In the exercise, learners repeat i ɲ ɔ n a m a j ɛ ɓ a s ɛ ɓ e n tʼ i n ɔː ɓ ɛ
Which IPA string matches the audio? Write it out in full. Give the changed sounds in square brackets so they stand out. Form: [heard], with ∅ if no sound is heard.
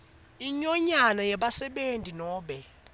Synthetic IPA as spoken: i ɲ ɔ [ɲ] a [n] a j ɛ ɓ a s ɛ ɓ e n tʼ i n ɔː ɓ ɛ